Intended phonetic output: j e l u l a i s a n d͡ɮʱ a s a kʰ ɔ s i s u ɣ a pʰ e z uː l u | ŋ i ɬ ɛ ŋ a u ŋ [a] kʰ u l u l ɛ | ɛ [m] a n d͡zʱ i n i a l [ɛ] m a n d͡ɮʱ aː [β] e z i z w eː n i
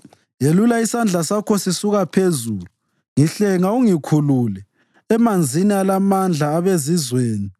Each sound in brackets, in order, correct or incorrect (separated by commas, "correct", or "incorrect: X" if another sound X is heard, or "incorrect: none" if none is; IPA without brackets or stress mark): incorrect: i, correct, incorrect: a, correct